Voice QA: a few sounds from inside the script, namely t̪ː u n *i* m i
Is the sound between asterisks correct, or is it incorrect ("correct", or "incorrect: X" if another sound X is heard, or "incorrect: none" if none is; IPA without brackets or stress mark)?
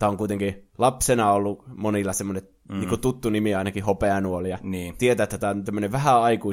correct